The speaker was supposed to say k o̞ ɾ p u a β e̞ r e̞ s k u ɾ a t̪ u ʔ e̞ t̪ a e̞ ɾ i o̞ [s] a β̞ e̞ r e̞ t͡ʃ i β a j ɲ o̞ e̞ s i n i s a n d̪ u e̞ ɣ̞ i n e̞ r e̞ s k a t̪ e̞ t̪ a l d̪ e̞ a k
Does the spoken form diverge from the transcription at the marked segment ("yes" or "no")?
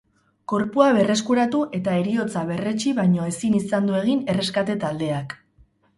yes